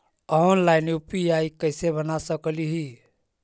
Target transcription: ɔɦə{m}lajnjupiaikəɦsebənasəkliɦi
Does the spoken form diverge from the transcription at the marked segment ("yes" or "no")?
yes